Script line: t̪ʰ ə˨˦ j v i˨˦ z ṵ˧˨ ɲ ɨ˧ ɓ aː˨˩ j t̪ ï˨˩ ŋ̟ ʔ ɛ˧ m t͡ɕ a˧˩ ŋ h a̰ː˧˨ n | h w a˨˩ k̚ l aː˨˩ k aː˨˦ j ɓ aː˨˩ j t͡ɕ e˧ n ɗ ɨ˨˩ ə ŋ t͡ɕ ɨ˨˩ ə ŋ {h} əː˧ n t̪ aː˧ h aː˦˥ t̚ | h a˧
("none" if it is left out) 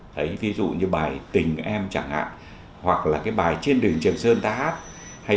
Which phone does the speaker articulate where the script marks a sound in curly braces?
s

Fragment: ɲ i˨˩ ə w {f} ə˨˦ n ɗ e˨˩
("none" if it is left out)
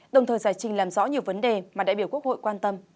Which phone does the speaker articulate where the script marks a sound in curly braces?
v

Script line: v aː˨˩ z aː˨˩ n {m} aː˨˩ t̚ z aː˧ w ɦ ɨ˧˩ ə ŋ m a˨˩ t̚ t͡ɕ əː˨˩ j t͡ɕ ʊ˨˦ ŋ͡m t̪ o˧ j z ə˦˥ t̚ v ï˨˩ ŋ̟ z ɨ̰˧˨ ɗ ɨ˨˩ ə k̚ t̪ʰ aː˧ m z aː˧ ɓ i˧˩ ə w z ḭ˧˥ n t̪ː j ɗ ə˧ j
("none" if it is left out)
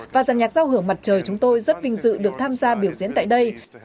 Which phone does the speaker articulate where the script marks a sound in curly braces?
ɲ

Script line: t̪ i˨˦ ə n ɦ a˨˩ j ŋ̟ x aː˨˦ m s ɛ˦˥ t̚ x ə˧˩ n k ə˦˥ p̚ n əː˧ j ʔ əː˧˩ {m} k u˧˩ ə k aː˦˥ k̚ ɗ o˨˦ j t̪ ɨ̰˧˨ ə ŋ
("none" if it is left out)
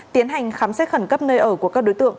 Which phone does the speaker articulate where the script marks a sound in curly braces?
none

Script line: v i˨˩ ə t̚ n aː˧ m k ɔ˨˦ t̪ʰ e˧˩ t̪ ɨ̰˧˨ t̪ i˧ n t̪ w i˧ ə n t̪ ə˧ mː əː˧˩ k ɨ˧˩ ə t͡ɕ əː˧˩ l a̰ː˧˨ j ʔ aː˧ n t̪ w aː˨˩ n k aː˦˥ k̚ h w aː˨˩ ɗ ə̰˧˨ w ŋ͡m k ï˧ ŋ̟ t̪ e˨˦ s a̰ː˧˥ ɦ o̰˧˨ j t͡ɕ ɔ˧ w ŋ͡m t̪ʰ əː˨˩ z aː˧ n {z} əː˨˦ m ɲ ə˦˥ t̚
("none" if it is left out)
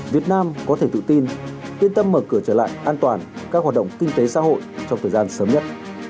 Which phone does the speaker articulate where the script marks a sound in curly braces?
s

